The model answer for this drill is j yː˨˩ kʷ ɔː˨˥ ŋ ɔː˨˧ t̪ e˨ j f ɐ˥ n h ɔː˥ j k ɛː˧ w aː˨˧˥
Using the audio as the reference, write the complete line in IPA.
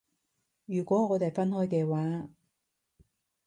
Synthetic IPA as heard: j yː˨˩ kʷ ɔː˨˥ ŋ ɔː˨˧ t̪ e˨ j f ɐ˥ n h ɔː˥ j k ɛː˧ w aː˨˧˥